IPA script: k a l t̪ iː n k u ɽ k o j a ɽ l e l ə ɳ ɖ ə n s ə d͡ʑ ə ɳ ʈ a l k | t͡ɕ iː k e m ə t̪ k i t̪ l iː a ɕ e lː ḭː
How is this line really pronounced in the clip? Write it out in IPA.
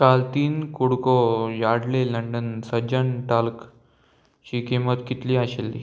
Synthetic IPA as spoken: k a l t̪ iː n k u ɽ k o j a ɽ l e l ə ɳ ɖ ə n s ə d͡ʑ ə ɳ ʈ a l k | t͡ɕ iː k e m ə t̪ k i t̪ l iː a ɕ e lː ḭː